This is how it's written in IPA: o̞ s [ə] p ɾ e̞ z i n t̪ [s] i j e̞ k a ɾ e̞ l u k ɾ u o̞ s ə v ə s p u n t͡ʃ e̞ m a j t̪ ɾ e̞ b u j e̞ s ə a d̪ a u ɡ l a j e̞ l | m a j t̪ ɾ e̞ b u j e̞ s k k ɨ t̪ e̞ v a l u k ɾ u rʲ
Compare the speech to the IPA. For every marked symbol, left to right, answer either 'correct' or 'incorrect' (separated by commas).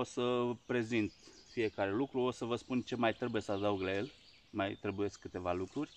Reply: correct, incorrect